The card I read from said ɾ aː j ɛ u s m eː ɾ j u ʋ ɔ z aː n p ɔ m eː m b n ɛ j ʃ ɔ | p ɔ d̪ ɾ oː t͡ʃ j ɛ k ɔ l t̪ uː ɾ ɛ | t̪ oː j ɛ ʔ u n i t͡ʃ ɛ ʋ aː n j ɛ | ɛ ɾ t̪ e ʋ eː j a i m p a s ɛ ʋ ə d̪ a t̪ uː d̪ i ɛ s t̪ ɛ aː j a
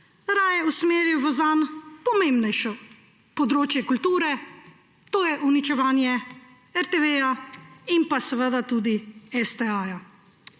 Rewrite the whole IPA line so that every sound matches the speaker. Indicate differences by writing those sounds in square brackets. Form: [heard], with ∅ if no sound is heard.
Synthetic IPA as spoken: ɾ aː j ɛ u s m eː ɾ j u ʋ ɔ z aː n p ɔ m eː m b n ɛ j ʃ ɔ | p ɔ d̪ ɾ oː t͡ʃ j ɛ k [u] l t̪ uː ɾ ɛ | t̪ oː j ɛ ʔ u n i t͡ʃ ɛ ʋ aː n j ɛ | ɛ ɾ t̪ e ʋ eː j a i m p a s ɛ ʋ ə d̪ a t̪ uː d̪ i ɛ s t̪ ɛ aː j a